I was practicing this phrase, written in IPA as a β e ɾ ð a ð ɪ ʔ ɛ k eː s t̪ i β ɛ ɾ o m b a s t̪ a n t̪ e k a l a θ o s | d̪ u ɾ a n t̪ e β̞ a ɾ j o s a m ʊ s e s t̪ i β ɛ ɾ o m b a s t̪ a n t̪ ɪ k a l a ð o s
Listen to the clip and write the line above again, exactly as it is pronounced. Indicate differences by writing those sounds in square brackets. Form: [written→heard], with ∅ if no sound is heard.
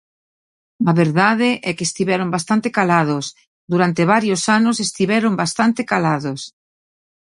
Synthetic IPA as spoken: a β e ɾ ð a ð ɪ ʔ ɛ k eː s t̪ i β ɛ ɾ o m b a s t̪ a n t̪ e k a l a [θ→ð] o s | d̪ u ɾ a n t̪ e β̞ a ɾ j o s a [m→n] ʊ s e s t̪ i β ɛ ɾ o m b a s t̪ a n t̪ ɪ k a l a ð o s